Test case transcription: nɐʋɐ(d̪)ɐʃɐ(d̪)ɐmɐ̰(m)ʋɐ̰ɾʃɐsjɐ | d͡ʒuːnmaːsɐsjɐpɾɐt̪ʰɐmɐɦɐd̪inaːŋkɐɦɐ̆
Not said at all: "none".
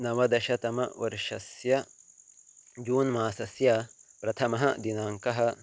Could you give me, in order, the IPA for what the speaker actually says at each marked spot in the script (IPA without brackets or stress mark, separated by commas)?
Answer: d̪, t̪, none